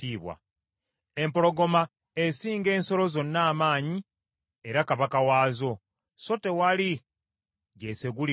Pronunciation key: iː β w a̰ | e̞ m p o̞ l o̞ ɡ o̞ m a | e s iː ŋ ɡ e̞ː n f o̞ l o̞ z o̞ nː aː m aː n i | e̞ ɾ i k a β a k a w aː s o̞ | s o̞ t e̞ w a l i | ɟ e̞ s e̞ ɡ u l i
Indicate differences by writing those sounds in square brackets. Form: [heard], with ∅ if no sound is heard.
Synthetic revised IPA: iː β w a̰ | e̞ m p o̞ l o̞ ɡ o̞ m a | e s iː ŋ ɡ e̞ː n [s] o̞ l o̞ z o̞ nː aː m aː [ɲ] i | e̞ ɾ [a] k a β a k a w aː [z] o̞ | s o̞ t e̞ w a l i | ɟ e̞ s e̞ ɡ u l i